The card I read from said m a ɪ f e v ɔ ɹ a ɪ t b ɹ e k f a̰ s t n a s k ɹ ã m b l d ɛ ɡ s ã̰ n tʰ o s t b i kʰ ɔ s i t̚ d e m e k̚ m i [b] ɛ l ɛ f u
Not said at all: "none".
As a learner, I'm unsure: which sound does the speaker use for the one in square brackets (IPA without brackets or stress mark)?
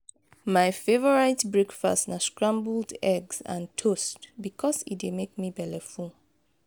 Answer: b